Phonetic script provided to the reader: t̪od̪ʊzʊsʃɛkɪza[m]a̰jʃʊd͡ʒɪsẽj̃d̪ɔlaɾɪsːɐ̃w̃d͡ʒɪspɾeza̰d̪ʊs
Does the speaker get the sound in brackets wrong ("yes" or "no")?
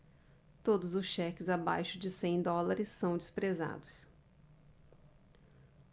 yes